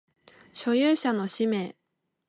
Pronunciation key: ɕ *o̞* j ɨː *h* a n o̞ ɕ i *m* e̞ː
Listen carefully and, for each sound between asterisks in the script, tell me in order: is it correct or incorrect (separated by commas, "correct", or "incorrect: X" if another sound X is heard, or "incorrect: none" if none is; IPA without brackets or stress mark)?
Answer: correct, incorrect: ɕ, correct